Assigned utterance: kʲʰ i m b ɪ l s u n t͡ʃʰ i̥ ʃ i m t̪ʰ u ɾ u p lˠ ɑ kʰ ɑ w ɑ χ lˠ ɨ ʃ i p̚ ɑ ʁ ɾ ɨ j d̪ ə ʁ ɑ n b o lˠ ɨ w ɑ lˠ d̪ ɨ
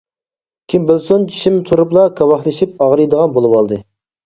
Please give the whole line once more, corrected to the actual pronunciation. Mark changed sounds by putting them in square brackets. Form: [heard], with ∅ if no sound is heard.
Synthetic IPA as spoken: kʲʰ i m b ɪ l s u n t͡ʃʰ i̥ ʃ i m t̪ʰ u ɾ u p lˠ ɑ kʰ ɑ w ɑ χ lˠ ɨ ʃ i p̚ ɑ ʁ ɾ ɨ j d̪ ə ʁ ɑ n b o lˠ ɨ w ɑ lˠ d̪ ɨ